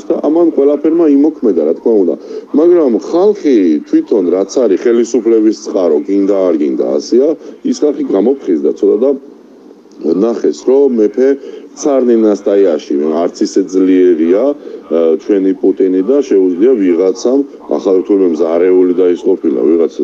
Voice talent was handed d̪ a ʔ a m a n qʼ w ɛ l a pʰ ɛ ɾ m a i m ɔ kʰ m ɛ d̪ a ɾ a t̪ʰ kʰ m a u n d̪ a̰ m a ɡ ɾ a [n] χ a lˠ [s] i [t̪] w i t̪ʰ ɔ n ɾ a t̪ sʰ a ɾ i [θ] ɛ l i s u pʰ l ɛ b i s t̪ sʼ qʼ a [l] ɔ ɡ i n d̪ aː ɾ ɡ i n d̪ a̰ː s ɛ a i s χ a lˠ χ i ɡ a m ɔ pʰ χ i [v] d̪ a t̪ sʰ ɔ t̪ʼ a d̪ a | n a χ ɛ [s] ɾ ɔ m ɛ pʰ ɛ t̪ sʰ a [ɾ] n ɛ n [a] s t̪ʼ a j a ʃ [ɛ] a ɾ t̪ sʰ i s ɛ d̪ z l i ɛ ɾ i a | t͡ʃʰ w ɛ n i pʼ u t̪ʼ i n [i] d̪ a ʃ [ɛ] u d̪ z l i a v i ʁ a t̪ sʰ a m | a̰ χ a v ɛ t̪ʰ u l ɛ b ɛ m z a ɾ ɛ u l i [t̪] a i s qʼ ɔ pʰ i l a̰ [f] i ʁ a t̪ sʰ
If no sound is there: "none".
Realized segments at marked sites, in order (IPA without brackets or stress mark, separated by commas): m, χ, t̪ʰ, χ, ɾ, z, s, ɾ, a, i, i, ɛ, d̪, v